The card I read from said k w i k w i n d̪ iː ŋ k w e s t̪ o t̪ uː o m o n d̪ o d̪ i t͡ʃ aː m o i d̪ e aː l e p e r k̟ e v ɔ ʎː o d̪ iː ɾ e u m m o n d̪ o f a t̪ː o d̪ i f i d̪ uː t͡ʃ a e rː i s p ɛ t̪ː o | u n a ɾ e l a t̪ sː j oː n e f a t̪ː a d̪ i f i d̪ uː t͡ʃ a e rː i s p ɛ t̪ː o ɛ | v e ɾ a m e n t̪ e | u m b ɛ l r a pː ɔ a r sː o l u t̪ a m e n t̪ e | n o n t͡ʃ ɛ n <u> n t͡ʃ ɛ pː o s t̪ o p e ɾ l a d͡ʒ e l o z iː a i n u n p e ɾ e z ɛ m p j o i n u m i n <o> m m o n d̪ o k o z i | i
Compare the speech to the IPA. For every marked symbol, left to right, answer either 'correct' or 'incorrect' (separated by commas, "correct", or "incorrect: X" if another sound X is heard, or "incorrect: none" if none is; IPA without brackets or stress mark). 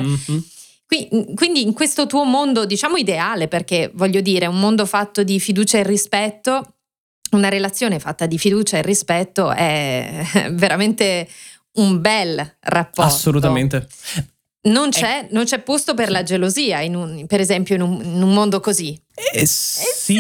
incorrect: o, incorrect: u